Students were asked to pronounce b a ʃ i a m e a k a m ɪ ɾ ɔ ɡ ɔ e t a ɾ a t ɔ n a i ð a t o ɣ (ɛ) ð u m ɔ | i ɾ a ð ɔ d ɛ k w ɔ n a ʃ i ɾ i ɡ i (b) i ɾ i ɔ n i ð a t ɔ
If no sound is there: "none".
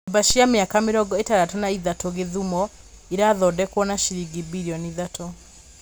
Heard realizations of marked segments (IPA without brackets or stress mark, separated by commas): e, b